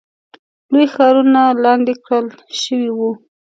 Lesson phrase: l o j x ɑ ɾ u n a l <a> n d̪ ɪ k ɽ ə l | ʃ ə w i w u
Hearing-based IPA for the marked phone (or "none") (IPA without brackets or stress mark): ɑ